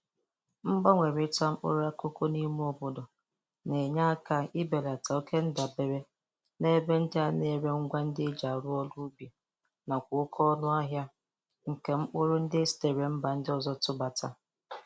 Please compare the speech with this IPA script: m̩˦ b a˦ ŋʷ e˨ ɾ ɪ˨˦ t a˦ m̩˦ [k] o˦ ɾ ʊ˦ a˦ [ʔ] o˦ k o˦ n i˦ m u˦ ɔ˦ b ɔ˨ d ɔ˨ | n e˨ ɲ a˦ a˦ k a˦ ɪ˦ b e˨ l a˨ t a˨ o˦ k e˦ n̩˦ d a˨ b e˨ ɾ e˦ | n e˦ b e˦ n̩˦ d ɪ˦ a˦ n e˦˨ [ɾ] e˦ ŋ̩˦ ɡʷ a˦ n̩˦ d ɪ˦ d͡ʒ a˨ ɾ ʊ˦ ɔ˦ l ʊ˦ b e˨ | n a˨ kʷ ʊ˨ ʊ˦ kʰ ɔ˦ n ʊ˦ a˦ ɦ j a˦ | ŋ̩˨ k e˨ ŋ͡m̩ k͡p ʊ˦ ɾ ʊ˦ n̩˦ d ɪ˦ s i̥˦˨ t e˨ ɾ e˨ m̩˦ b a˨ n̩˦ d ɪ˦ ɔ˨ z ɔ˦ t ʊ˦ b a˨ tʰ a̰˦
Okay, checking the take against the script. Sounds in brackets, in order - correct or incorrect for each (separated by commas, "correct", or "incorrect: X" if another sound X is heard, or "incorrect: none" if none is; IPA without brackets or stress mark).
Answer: incorrect: k͡p, incorrect: k, correct